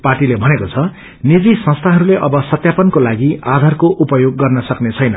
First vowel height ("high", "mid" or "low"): low